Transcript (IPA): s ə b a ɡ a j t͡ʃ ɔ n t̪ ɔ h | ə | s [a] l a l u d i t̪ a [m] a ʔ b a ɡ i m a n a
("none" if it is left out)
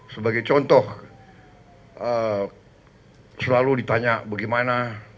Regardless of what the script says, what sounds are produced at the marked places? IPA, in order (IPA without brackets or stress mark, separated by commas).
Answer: ə, ɲ